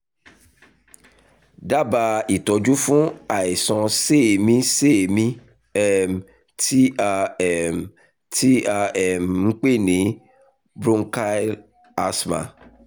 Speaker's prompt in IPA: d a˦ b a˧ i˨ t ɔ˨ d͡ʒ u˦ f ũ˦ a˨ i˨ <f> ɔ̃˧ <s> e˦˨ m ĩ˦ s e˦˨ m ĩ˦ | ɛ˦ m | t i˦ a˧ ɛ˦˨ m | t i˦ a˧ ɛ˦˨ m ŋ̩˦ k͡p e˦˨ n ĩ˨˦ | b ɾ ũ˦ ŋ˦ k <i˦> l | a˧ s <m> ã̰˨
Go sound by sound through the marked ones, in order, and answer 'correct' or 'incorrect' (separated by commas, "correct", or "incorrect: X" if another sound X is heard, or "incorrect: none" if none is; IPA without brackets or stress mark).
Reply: incorrect: s, correct, incorrect: a˦, correct